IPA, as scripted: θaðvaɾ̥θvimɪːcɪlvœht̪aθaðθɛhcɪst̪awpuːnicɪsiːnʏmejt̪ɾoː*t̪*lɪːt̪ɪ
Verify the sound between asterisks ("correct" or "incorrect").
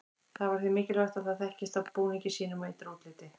correct